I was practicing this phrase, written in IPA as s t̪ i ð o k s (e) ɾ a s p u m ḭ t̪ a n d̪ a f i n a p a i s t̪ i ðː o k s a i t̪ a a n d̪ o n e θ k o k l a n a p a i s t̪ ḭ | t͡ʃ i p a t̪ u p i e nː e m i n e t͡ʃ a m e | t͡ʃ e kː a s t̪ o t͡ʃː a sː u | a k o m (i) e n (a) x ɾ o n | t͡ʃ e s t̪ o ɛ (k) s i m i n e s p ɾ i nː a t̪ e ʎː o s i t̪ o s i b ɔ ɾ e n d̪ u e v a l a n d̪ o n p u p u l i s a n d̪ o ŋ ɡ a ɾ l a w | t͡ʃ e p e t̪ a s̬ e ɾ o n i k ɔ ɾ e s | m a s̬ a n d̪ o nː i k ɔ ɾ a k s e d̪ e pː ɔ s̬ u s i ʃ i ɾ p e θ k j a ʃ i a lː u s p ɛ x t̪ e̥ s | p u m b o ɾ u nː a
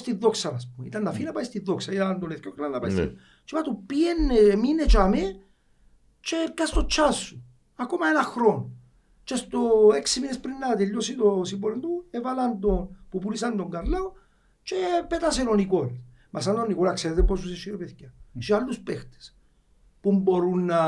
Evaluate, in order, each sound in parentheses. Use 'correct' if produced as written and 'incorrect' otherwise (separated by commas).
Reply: incorrect, incorrect, correct, correct